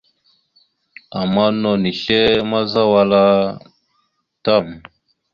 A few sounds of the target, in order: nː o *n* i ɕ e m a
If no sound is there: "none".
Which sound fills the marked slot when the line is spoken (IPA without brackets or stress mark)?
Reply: n